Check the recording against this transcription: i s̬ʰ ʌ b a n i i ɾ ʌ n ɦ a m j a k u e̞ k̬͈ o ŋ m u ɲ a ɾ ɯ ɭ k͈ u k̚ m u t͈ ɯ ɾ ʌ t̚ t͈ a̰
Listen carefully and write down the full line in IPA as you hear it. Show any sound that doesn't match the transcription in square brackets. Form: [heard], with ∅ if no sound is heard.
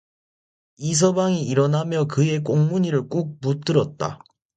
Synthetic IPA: i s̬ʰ ʌ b a [ŋ] i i ɾ ʌ n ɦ a m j [ʌ] k [ɯ] e̞ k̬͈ o ŋ m u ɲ [i] ɾ ɯ ɭ k͈ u k̚ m u t͈ ɯ ɾ ʌ t̚ t͈ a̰